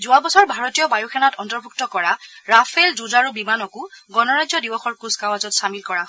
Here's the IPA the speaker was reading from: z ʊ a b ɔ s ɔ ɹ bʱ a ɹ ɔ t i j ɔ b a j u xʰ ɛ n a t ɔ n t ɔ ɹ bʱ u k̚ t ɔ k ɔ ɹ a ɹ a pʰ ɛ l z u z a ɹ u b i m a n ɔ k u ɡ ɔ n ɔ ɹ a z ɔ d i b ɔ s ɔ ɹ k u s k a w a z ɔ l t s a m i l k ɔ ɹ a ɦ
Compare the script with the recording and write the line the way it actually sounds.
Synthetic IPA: z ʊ a b ɔ s ɔ ɹ bʱ a ɹ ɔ t i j ɔ b a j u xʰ ɛ n a t ɔ n t ɔ ɹ bʱ u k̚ t ɔ k ɔ ɹ a ɹ a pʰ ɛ l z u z a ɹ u b i m a n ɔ k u ɡ ɔ n ɔ ɹ a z ɔ d i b ɔ x ɔ ɹ k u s k a w a z ɔ t s a m i l k ɔ ɹ a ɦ